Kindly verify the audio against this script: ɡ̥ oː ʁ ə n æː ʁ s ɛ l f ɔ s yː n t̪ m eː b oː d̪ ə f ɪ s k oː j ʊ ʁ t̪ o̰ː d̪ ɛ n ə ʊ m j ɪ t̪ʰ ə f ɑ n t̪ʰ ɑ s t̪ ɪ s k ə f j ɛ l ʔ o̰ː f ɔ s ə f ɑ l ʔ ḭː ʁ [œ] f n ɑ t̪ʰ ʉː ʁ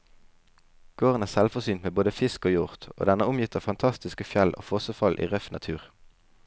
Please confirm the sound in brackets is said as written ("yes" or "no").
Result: yes